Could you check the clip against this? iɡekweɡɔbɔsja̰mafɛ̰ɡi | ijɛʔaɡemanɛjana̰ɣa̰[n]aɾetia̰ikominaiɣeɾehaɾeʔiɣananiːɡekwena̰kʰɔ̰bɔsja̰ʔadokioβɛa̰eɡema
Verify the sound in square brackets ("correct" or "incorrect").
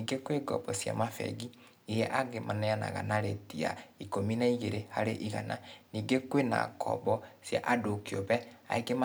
correct